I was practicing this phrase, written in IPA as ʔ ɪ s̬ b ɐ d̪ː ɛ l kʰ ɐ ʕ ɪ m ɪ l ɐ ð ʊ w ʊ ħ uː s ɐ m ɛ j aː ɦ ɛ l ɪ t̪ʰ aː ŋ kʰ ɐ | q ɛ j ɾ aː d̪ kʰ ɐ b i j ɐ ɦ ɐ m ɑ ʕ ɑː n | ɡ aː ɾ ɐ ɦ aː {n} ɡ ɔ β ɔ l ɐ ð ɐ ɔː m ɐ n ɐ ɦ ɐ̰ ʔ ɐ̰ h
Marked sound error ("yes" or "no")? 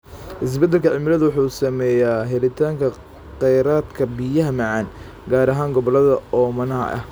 yes